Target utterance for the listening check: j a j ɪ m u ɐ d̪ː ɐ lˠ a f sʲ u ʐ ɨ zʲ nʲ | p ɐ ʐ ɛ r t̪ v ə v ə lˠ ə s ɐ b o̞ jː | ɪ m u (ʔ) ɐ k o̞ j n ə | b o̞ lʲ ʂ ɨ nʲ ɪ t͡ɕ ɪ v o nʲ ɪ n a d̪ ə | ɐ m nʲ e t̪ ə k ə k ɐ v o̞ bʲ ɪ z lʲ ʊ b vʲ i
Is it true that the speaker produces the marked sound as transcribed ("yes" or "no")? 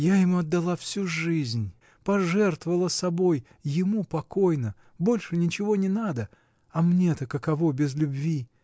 no